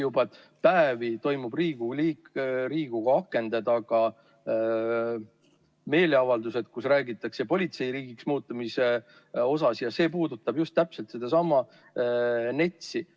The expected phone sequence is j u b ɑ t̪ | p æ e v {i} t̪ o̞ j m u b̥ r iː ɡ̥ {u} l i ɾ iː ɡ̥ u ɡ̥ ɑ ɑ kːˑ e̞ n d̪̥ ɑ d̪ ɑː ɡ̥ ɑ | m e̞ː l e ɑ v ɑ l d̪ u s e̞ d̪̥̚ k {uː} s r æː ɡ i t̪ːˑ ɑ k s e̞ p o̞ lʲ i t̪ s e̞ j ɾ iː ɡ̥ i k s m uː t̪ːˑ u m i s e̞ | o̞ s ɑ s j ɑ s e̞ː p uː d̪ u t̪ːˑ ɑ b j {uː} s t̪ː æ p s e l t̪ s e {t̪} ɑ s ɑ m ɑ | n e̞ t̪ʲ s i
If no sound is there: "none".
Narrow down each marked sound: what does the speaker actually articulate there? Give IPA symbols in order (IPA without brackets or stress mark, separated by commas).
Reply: i, u, u, u, d̪